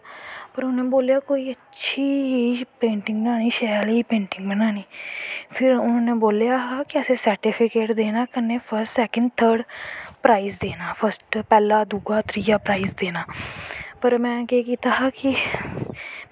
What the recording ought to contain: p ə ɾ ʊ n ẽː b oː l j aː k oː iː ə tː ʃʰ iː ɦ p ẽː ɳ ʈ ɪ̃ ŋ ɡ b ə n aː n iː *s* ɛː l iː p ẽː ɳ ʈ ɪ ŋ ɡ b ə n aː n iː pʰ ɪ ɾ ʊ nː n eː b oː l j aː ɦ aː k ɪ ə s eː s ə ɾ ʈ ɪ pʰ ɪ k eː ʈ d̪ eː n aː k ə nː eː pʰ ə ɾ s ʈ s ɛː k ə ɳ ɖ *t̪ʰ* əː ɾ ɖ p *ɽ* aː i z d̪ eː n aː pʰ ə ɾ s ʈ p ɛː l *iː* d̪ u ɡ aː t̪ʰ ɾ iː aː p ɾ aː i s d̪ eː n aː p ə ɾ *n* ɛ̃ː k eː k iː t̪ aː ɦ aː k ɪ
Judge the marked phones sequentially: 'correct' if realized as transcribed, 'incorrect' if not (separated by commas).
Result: incorrect, correct, incorrect, incorrect, incorrect